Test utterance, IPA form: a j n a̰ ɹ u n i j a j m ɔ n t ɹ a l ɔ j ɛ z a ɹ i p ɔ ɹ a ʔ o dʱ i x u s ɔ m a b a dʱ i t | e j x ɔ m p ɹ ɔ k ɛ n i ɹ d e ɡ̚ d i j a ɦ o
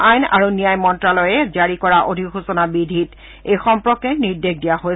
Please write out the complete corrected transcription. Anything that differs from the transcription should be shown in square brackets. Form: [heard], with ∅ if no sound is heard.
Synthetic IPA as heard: a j n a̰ ɹ u n i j a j m ɔ n t ɹ a l ɔ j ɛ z a ɹ i [k] ɔ ɹ a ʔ o dʱ i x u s ɔ [n] a b [i] dʱ i t | e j x ɔ m p ɹ ɔ k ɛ n i ɹ d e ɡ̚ d i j a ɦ o